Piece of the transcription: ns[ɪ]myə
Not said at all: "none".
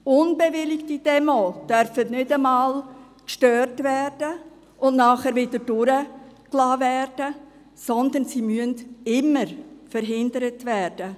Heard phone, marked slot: i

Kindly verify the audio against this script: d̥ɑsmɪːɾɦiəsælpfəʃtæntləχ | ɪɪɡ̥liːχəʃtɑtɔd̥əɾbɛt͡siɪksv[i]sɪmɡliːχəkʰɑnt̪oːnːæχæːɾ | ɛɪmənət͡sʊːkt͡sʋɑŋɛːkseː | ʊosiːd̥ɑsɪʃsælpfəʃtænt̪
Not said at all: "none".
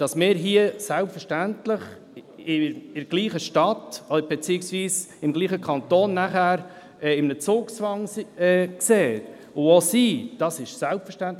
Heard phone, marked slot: iː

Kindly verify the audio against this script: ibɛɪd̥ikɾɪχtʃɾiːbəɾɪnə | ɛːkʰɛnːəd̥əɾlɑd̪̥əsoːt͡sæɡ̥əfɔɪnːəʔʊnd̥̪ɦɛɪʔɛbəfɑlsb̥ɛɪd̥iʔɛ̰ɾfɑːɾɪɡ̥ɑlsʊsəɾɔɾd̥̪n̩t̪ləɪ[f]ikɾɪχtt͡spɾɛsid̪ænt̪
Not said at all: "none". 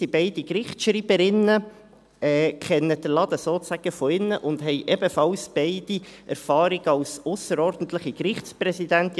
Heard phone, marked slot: χ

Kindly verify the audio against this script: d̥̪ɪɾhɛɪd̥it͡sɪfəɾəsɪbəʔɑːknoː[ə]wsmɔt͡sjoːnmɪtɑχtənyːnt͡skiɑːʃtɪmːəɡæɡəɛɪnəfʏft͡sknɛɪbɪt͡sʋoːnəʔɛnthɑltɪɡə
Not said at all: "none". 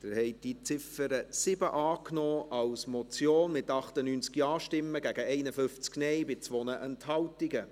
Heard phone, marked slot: ɑ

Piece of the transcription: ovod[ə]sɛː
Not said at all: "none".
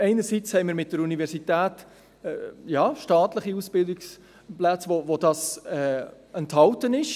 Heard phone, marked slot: ɑ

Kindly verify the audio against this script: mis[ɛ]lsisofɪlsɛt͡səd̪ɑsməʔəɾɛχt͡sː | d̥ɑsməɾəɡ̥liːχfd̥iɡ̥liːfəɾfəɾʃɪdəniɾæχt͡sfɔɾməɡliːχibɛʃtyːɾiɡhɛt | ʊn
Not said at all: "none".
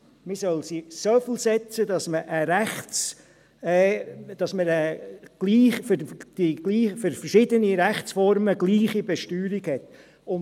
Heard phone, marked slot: œ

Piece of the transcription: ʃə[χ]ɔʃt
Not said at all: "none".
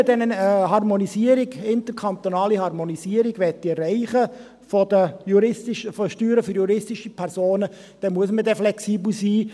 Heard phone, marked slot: f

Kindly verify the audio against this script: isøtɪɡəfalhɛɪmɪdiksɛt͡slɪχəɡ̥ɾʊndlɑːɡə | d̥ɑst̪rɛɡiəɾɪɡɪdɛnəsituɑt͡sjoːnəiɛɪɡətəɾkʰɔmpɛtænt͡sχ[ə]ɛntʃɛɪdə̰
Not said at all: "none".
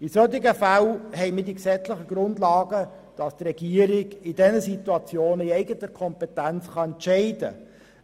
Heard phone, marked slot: ɑ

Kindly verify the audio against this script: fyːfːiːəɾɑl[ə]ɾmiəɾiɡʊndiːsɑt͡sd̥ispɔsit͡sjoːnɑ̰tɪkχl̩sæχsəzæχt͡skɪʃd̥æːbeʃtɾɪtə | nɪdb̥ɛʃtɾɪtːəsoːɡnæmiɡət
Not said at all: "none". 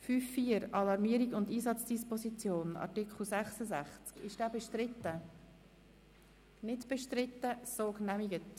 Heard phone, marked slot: ɑ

